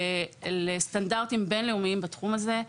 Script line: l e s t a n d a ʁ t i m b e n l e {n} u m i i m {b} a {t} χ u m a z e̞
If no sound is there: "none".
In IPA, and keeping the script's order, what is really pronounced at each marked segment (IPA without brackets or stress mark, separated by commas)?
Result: none, b, t